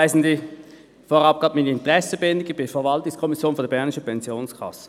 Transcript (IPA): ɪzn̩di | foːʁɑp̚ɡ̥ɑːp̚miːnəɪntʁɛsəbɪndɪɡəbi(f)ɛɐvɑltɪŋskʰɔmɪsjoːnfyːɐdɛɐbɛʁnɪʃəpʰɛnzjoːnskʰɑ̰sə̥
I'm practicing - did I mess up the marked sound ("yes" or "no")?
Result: no